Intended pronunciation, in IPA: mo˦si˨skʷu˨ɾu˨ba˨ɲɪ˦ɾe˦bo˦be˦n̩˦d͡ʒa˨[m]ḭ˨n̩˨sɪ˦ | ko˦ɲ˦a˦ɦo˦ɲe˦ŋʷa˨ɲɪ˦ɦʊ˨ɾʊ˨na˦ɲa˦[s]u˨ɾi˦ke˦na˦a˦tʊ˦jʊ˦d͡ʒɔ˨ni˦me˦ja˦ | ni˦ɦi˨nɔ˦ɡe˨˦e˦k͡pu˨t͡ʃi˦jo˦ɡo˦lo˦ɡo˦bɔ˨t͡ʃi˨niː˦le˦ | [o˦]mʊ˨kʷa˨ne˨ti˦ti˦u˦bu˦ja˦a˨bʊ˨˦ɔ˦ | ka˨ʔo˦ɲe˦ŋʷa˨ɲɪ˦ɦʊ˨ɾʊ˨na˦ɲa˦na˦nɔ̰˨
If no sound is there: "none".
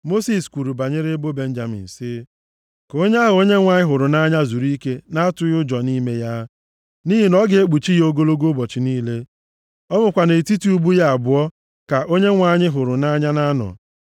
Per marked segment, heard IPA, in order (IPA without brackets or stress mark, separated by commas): m, z, ɔ˦